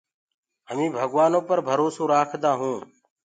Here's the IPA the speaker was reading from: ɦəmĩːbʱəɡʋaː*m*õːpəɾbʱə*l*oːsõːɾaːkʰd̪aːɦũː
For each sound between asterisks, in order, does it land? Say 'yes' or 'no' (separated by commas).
no, no